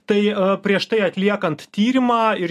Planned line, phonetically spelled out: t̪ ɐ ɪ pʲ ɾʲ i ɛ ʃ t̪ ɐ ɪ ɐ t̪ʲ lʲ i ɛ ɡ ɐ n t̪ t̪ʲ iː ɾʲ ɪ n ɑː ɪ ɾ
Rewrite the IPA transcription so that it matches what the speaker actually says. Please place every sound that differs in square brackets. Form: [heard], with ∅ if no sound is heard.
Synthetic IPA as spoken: t̪ ɐ ɪ pʲ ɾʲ i ɛ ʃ t̪ ɐ ɪ ɐ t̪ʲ lʲ i ɛ [k] ɐ n t̪ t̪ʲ iː ɾʲ ɪ [m] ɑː ɪ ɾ